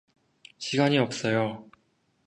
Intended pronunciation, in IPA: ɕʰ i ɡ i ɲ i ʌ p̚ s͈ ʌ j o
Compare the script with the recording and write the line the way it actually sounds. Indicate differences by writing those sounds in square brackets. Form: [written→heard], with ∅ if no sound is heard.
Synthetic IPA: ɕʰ i ɡ [i→a] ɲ i ʌ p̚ s͈ ʌ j o